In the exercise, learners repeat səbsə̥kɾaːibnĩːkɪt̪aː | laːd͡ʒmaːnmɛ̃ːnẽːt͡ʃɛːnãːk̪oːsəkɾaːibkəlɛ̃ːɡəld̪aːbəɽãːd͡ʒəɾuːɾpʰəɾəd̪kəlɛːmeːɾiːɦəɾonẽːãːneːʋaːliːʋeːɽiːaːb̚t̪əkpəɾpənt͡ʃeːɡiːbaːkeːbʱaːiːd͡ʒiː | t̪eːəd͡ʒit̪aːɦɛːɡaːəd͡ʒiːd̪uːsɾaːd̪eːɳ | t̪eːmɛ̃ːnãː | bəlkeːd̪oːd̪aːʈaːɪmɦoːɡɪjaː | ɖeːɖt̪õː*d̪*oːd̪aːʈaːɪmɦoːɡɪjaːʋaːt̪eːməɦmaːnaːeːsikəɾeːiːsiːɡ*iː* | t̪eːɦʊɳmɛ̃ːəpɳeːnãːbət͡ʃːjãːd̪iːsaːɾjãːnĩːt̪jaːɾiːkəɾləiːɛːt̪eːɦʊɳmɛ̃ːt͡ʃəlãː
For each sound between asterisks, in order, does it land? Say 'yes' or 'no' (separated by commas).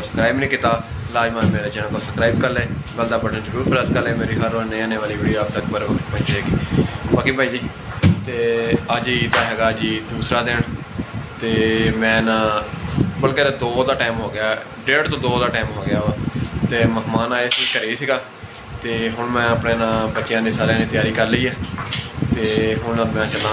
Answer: yes, no